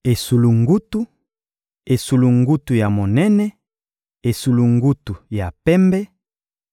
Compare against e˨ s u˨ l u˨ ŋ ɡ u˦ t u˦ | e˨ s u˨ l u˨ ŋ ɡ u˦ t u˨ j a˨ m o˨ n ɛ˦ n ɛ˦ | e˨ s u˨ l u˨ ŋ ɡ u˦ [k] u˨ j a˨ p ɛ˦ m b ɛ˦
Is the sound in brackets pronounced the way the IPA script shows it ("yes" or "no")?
no